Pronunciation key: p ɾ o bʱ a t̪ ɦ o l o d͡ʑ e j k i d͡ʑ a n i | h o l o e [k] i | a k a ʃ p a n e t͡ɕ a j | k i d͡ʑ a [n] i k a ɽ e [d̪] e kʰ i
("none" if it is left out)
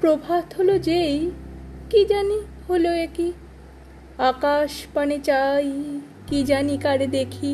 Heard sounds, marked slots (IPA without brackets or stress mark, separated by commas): k, n, d̪